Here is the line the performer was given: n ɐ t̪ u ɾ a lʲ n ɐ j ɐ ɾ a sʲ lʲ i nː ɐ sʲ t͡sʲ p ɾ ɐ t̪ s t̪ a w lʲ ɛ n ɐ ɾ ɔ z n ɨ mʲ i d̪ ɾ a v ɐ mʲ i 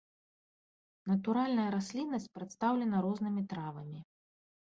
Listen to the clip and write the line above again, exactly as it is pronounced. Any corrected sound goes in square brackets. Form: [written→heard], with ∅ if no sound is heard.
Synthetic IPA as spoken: n ɐ t̪ u ɾ a lʲ n ɐ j ɐ ɾ a sʲ lʲ i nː ɐ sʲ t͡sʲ p ɾ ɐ t̪ s t̪ a w lʲ ɛ n ɐ ɾ ɔ z n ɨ mʲ i [d̪→t̪] ɾ a v ɐ mʲ i